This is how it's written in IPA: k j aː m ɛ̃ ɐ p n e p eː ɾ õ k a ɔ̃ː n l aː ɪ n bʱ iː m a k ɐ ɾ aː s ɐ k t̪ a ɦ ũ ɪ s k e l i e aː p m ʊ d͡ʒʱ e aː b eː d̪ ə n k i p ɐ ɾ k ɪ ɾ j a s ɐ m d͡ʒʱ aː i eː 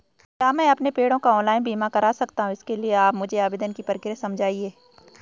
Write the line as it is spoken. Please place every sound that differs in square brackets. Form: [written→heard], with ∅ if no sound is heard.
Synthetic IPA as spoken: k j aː m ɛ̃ ɐ p n e p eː [ɾ→ɽ] õ k a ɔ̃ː n l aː ɪ n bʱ iː m a k ɐ ɾ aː s ɐ k t̪ a ɦ ũ ɪ s k e l i e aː p m ʊ d͡ʒʱ e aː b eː d̪ ə n k i p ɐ ɾ k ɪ ɾ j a s ɐ m d͡ʒʱ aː i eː